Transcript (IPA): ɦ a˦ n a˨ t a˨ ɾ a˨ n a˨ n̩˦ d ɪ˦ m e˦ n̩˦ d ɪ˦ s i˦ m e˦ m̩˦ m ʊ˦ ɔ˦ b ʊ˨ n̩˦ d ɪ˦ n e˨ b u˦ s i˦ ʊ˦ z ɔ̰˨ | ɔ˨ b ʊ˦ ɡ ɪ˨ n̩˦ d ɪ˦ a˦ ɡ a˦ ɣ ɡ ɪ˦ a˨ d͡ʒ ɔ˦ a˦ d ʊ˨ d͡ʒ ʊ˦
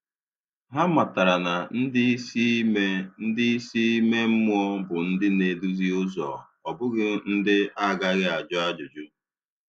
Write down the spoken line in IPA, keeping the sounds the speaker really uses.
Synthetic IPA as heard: ɦ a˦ m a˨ t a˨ ɾ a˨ n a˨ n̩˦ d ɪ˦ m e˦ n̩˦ d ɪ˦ s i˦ m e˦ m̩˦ m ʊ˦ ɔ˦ b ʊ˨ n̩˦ d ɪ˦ n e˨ d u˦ z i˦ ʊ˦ z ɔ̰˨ | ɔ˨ b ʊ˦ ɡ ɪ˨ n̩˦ d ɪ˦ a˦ ɡ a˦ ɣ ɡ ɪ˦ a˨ d͡ʒ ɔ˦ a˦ d͡ʒ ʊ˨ d͡ʒ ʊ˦